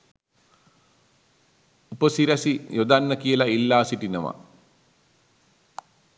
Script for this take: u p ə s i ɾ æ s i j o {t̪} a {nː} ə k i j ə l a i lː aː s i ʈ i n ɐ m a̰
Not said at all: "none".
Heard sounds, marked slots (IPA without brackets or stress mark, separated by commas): d̪, nː